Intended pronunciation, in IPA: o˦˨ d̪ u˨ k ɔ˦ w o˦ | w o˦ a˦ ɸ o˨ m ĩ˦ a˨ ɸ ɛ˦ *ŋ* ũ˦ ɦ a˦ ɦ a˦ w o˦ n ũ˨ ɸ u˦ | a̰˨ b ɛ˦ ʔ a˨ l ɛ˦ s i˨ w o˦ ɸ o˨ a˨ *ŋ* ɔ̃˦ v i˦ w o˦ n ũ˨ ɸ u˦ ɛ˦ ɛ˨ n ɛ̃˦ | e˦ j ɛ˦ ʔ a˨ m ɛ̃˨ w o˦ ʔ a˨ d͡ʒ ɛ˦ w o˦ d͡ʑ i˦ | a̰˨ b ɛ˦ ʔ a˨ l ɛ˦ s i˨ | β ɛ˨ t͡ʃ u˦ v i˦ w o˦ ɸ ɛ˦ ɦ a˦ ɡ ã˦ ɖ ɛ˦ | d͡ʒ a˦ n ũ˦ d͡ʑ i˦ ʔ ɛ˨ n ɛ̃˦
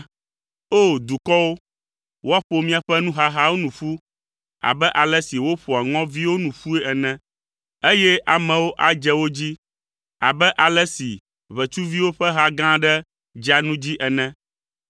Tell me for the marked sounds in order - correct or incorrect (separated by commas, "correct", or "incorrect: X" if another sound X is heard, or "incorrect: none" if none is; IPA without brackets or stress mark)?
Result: incorrect: n, correct